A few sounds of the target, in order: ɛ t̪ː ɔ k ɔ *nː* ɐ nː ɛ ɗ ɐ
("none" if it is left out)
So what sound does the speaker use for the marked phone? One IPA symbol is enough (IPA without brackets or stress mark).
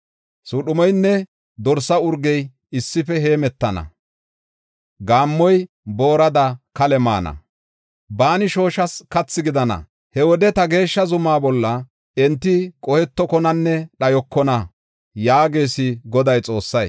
n